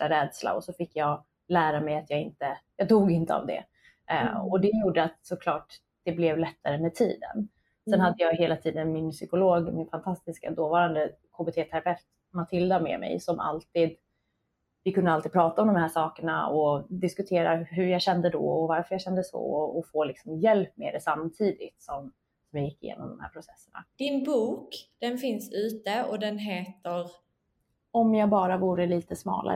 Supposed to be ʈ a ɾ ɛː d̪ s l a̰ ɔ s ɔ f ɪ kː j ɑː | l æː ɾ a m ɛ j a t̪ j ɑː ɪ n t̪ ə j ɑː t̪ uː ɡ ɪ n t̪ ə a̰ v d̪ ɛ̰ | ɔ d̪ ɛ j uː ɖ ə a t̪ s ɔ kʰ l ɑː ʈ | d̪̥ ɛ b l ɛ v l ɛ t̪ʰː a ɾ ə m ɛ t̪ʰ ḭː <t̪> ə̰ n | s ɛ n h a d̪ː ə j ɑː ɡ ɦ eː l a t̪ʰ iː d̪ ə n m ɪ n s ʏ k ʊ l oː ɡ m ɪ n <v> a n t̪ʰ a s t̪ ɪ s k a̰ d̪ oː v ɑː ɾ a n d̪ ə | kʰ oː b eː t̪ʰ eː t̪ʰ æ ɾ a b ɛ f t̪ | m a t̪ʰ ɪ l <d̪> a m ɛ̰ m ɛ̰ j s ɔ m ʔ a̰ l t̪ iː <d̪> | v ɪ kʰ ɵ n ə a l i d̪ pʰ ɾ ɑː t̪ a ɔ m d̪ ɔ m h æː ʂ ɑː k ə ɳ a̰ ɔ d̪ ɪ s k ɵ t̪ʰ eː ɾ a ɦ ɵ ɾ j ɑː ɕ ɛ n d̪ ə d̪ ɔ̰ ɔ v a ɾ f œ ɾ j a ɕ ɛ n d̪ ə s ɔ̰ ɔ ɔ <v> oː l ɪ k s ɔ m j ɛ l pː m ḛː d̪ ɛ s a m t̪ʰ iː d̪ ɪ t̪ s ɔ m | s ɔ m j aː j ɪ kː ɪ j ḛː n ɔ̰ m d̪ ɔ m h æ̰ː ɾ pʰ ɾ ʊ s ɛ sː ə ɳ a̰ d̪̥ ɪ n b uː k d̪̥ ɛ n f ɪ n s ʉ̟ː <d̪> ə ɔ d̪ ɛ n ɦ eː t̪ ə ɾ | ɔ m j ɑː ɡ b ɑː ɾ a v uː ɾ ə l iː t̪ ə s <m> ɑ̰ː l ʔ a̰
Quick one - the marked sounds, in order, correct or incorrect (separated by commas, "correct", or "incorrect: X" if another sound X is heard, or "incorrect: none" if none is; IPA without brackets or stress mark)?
incorrect: d̪, incorrect: f, correct, correct, incorrect: f, incorrect: t̪, correct